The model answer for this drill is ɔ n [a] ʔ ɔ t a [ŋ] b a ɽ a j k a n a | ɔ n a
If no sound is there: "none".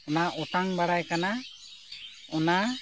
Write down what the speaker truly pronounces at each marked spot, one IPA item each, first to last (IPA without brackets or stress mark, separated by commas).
a, ŋ